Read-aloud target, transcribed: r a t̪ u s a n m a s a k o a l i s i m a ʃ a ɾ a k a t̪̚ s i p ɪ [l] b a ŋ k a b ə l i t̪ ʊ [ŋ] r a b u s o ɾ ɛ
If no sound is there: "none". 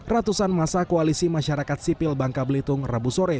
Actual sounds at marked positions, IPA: l, ŋ

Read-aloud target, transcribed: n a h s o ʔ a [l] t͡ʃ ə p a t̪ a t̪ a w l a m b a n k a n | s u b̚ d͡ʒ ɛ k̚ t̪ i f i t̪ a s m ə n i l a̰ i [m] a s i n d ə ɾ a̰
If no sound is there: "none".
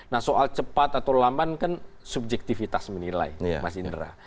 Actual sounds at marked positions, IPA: l, m

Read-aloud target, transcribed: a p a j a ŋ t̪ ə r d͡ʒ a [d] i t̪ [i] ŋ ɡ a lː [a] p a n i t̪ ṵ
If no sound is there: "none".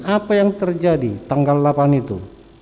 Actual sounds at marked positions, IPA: d, a, a

